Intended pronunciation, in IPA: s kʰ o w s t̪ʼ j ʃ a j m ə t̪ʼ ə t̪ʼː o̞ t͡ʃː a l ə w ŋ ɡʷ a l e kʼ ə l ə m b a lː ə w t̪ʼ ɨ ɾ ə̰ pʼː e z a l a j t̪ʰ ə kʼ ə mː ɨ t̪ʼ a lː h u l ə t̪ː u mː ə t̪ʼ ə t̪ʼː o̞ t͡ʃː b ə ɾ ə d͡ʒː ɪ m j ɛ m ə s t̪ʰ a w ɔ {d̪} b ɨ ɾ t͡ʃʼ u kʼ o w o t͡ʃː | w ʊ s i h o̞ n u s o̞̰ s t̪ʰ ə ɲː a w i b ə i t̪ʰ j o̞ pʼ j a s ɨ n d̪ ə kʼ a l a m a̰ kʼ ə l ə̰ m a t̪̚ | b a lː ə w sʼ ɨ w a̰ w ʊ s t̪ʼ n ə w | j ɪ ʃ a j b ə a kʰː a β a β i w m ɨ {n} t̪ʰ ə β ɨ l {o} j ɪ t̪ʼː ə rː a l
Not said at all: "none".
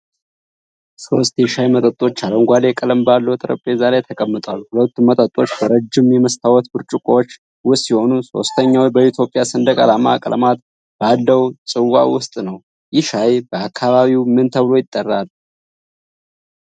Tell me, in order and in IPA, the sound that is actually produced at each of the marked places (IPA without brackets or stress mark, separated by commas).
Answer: t̪, n, o